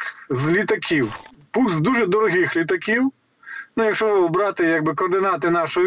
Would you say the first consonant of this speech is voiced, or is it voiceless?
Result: voiced